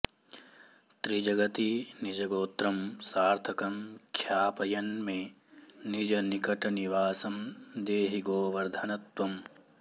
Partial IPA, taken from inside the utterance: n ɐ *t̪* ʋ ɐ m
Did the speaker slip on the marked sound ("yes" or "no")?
no